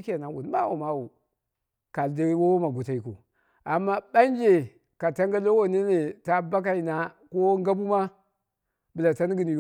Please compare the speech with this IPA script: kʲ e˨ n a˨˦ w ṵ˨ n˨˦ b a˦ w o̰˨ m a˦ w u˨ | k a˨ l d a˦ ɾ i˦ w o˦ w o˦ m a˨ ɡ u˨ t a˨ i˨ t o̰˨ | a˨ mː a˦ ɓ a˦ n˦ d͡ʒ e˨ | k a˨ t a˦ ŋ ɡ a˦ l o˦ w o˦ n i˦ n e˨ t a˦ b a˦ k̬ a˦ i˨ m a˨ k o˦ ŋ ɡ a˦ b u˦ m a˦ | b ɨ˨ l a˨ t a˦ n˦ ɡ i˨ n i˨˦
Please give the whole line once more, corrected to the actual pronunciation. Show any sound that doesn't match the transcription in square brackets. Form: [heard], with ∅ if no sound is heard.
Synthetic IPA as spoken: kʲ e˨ n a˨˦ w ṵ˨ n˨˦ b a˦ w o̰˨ m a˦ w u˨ | k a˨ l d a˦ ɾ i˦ w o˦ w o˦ m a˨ ɡ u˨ t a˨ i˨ [k] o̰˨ | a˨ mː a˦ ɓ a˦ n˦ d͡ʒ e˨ | k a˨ t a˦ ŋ ɡ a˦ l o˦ w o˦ n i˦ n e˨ t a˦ b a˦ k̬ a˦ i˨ [n] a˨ k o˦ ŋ ɡ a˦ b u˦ m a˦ | b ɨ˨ l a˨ t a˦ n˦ ɡ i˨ n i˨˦